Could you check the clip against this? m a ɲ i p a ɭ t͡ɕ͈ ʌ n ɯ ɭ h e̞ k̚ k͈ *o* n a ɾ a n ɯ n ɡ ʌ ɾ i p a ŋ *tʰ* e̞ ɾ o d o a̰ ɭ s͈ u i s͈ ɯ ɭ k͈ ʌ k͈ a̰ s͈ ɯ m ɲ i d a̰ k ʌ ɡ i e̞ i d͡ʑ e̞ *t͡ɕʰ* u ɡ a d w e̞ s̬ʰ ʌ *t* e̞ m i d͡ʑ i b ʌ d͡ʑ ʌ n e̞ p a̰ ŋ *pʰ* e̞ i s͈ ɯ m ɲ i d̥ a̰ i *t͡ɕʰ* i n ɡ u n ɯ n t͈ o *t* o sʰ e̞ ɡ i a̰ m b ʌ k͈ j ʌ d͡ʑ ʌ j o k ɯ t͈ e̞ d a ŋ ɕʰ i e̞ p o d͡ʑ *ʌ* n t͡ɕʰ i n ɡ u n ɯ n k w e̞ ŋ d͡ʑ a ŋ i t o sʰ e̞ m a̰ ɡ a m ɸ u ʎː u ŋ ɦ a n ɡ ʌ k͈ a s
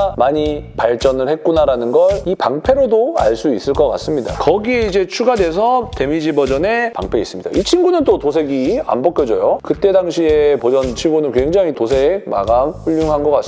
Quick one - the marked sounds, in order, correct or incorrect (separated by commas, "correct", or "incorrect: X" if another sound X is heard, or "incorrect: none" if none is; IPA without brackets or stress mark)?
incorrect: u, incorrect: pʰ, correct, correct, correct, correct, correct, correct